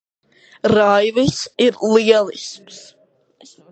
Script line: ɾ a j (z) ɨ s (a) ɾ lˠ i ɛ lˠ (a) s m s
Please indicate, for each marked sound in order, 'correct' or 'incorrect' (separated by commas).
incorrect, incorrect, incorrect